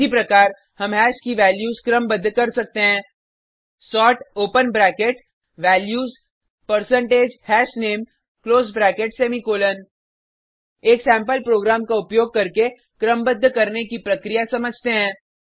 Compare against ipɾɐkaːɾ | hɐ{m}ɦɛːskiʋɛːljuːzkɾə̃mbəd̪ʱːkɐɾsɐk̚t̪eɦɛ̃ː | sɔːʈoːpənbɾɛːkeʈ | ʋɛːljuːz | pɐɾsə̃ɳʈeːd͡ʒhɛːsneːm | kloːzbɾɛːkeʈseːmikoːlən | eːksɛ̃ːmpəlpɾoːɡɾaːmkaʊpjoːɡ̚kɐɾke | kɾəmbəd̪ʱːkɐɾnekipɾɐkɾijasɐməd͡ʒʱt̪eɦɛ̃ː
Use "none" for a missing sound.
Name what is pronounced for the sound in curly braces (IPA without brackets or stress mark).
m